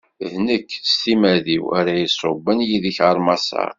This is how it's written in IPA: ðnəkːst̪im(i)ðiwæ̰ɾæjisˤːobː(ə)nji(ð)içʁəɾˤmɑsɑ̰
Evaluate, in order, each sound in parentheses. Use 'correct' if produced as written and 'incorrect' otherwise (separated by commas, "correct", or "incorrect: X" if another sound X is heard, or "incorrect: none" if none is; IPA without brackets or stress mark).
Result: incorrect: æ, correct, correct